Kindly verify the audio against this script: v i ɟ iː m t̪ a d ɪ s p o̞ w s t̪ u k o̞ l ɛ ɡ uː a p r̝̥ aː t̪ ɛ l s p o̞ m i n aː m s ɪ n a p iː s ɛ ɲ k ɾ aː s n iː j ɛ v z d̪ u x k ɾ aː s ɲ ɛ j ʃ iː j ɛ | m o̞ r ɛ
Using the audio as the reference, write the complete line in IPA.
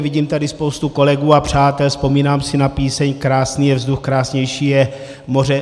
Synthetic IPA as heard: v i ɟ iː m t̪ a d ɪ s p o̞ w s t̪ u k o̞ l ɛ ɡ uː a p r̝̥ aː t̪ ɛ l s p o̞ m iː n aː m s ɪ n a p iː s ɛ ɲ k ɾ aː s n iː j ɛ v z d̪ u x k ɾ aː s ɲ ɛ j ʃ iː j ɛ | m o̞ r ɛ